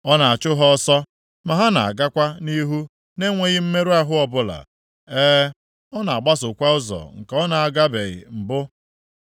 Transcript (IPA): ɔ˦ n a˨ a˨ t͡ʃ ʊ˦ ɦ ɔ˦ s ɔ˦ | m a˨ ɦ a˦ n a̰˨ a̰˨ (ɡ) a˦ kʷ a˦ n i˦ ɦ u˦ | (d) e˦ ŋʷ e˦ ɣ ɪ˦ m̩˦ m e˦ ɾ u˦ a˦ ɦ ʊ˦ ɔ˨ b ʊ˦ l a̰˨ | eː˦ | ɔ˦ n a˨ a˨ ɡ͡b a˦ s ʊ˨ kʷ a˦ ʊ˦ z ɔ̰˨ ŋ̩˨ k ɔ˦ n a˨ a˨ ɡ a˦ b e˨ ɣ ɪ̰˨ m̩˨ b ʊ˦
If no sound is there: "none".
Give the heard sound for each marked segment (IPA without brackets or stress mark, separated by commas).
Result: ɡ, n